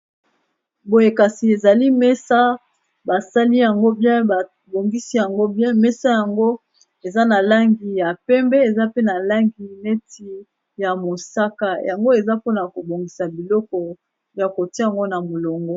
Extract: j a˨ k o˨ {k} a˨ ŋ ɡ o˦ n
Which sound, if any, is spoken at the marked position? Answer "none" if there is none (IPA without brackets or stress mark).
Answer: t